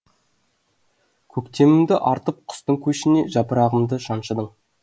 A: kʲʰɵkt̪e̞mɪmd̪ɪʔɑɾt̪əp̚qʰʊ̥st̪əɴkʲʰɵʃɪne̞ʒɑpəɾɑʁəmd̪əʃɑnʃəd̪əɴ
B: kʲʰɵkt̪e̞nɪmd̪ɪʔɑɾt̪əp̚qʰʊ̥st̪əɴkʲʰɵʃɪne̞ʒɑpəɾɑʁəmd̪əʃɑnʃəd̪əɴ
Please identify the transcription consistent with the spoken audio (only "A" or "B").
A